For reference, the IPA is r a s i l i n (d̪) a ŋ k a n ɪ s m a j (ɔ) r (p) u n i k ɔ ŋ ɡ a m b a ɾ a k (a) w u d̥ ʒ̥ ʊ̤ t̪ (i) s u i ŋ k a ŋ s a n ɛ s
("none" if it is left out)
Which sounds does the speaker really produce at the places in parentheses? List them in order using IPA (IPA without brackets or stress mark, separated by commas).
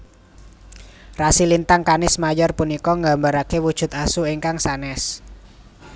t̪, ɔ, p, e, a